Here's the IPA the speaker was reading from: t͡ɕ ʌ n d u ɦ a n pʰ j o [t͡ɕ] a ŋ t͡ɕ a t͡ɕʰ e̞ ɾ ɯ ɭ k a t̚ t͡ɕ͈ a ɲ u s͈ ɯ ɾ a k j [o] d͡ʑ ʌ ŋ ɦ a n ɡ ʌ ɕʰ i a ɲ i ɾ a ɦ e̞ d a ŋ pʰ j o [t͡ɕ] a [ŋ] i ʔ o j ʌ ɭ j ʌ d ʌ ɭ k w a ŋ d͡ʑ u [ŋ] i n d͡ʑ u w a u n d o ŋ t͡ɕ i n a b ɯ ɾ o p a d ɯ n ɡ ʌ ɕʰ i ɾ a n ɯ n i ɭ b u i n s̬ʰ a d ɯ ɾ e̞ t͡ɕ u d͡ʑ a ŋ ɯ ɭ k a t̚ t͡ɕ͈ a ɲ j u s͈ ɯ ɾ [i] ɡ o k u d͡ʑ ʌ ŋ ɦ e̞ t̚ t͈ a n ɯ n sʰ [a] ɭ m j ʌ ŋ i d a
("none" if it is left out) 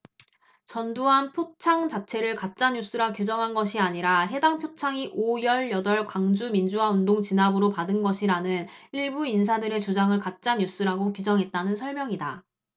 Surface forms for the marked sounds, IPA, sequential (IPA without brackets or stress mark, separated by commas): t͡ɕʰ, u, t͡ɕʰ, ŋ, m, a, ʌ